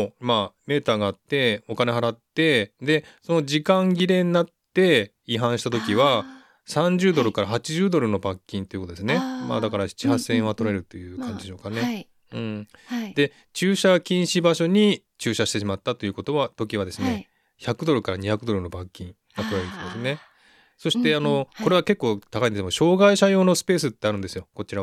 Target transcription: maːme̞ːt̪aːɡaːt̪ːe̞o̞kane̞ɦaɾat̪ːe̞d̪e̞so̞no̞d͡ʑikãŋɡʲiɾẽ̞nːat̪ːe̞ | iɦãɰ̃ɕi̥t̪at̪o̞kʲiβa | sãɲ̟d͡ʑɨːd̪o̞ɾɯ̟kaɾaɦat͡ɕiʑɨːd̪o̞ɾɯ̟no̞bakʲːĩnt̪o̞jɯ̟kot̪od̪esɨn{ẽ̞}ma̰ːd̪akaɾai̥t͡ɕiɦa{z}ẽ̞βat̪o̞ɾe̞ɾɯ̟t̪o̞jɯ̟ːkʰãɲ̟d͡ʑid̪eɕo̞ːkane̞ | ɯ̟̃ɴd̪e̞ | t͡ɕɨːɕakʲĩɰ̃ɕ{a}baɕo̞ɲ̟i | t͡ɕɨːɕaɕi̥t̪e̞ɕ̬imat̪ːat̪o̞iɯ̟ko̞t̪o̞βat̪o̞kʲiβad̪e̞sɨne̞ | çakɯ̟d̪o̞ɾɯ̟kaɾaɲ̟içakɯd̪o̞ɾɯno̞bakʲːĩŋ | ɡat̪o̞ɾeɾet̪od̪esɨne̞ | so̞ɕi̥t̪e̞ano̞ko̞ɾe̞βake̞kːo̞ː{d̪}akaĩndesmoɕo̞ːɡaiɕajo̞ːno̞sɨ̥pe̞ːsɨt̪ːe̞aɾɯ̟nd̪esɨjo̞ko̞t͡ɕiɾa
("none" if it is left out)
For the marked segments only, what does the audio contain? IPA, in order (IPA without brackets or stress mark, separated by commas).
e̞, s, i, t̪